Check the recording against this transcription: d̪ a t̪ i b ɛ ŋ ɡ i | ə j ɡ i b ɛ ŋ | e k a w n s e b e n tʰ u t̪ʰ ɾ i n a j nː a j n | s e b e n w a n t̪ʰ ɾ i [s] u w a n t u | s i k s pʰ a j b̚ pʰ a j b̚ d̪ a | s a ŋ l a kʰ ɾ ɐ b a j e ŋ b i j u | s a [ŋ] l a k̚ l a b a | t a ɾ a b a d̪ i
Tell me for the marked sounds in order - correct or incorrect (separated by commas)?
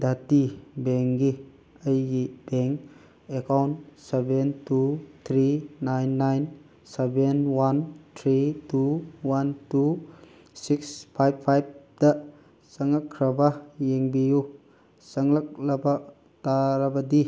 incorrect, correct